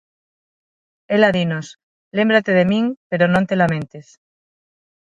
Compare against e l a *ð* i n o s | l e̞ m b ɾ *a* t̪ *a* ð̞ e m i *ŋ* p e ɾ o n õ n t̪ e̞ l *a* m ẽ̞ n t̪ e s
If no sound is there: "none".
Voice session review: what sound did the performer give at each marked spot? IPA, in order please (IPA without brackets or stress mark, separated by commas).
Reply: ð, a, e, ŋ, a